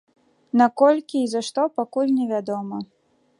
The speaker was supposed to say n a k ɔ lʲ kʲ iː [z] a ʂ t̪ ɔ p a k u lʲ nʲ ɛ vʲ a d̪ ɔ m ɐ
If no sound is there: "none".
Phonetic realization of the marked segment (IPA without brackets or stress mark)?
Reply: z